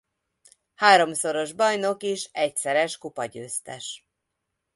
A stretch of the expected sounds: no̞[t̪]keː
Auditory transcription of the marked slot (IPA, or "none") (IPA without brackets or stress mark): none